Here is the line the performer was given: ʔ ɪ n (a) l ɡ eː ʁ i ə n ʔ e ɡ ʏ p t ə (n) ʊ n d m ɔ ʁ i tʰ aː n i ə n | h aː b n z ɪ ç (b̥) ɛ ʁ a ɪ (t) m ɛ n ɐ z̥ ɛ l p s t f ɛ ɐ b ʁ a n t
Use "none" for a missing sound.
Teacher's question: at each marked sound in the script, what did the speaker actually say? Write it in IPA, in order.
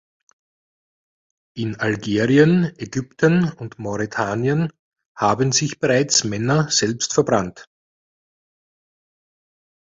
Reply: a, n, b̥, t͡s

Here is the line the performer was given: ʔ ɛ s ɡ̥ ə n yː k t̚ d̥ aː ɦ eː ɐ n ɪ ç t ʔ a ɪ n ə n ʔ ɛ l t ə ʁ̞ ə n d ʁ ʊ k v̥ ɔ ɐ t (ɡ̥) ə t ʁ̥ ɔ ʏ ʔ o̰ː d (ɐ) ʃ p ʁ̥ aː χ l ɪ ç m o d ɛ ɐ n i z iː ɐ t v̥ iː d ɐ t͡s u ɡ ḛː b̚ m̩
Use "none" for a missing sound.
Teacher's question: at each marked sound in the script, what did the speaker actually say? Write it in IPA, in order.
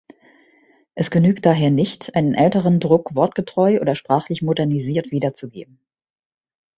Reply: ɡ̥, ɐ

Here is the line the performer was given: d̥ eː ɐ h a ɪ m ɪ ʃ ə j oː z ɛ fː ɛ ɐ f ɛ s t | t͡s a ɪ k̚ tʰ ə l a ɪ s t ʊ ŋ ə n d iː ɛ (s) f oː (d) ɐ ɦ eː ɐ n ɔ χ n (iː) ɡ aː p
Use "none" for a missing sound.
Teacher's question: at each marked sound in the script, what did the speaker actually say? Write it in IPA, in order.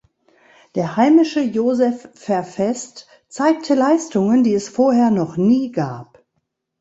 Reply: s, none, iː

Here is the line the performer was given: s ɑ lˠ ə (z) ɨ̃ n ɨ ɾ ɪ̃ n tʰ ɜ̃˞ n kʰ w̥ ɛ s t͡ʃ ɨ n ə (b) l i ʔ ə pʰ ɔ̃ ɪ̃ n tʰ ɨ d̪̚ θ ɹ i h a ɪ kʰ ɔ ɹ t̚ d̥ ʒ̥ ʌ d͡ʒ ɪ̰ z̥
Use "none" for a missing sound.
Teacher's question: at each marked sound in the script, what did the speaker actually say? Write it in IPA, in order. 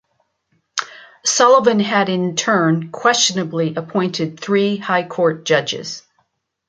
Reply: v, b

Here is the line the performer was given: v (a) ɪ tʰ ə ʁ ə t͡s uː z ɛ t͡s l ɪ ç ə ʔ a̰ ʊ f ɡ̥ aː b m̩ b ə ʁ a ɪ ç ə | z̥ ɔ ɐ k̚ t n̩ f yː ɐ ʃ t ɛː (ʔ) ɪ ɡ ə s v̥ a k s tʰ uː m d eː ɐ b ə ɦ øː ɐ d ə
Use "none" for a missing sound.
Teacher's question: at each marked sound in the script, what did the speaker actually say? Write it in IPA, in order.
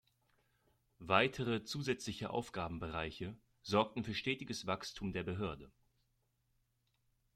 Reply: a, t

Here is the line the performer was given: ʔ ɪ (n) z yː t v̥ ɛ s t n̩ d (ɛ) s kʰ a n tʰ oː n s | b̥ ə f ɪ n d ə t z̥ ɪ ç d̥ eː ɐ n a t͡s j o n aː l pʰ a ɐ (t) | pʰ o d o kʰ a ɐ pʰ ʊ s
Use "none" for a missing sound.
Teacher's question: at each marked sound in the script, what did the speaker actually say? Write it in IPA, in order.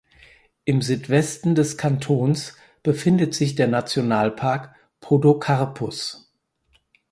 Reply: m, ɛ, k

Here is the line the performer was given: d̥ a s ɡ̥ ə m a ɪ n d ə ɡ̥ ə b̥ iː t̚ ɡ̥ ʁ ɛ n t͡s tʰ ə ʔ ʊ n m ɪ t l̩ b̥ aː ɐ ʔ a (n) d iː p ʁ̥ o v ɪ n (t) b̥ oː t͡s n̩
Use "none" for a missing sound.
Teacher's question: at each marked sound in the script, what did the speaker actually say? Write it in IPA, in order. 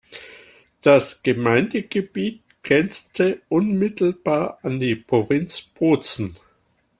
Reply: n, t͡s

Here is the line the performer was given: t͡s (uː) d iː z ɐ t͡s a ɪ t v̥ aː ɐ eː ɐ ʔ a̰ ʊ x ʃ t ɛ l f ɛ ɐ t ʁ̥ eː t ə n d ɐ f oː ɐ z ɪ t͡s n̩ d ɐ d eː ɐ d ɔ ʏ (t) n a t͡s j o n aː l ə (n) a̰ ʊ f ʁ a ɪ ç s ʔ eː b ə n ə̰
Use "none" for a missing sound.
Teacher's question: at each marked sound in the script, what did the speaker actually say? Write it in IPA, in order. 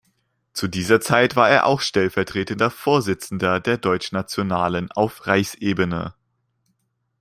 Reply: u, t͡ʃ, n

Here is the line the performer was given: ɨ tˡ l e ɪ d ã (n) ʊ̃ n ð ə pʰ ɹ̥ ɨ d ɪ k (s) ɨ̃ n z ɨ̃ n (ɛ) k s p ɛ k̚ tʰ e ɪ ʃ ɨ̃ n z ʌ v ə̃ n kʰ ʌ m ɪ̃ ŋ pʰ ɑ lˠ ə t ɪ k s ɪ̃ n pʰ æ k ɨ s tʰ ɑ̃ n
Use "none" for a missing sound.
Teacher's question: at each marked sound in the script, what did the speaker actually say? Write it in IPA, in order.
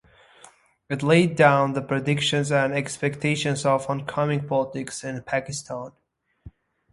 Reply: none, ʃ, ɛ

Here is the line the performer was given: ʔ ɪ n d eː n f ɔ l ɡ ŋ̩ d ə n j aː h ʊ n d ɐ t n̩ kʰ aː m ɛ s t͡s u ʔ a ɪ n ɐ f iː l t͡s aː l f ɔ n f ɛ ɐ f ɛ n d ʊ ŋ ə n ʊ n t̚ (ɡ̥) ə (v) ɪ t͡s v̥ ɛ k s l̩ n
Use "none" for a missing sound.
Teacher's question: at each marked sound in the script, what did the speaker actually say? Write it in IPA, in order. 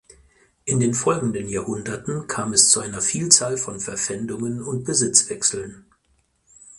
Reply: b̥, z

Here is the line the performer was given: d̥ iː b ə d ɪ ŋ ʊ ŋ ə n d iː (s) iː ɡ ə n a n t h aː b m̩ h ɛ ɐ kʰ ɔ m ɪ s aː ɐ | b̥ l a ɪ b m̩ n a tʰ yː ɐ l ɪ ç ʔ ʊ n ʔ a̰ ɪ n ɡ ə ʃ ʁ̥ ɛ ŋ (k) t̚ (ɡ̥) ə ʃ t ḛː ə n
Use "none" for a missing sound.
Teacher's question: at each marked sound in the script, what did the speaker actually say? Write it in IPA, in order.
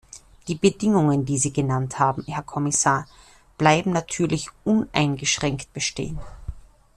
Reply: z, k, b̥

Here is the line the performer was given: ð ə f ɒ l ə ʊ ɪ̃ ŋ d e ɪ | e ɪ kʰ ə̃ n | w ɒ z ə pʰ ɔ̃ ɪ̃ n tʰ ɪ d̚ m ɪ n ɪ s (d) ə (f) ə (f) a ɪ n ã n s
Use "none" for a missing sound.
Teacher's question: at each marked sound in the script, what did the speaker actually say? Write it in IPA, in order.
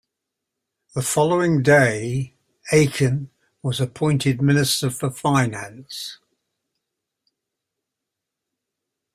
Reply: t, f, f

